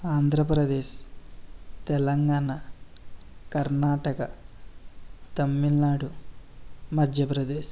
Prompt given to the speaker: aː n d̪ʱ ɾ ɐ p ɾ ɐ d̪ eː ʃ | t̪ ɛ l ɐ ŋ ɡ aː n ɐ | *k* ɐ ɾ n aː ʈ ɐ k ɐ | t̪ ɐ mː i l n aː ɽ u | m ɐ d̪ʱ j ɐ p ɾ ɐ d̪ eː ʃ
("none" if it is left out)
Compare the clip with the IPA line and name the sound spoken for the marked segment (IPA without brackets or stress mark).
k